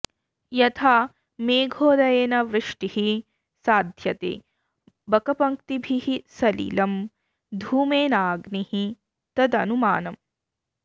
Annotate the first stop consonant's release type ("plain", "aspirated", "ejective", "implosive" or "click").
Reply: aspirated